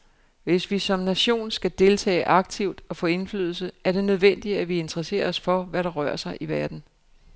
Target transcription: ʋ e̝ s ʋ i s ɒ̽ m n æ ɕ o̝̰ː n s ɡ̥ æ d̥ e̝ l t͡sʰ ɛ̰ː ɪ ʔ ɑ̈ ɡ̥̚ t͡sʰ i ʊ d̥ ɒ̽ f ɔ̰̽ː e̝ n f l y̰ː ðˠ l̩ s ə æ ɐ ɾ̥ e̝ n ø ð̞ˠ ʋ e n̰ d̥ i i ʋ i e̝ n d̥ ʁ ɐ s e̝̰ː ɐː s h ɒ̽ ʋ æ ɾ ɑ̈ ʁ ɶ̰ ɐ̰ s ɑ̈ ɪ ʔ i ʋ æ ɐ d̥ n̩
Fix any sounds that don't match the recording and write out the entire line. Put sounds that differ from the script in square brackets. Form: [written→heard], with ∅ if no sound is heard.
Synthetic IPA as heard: ʋ e̝ s ʋ i s ɒ̽ m n æ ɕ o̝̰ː n s ɡ̥ æ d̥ e̝ l t͡sʰ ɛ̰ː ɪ ʔ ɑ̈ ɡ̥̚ t͡sʰ i ʊ d̥ ɒ̽ f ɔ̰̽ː e̝ n f l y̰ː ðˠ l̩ s ə æ ɐ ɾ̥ e̝ n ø ð̞ˠ ʋ e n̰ d̥ i [i→æ] ʋ i e̝ n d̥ ʁ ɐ s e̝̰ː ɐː s [h→f] ɒ̽ ʋ æ ɾ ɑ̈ ʁ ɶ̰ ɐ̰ s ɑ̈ ɪ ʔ i ʋ æ ɐ d̥ n̩